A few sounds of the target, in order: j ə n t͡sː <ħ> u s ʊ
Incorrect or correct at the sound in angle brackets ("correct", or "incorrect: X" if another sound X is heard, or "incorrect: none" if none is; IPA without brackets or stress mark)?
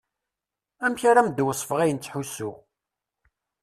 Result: correct